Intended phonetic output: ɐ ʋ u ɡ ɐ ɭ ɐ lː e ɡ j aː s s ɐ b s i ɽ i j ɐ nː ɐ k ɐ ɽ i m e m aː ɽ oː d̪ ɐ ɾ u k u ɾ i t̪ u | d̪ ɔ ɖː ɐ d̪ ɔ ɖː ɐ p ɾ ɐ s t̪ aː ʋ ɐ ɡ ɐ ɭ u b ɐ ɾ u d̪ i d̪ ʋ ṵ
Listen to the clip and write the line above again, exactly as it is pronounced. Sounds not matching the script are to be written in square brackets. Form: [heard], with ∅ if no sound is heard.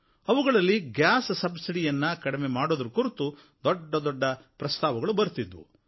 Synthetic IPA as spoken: ɐ ʋ u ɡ ɐ ɭ ɐ lː [i] ɡ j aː s s ɐ b s i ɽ i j ɐ nː ɐ k ɐ ɽ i m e m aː ɽ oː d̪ ɐ ɾ u k u ɾ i t̪ u | d̪ ɔ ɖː ɐ d̪ ɔ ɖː ɐ p ɾ ɐ s t̪ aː ʋ ɐ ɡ ɐ ɭ u b ɐ ɾ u [t̪] i d̪ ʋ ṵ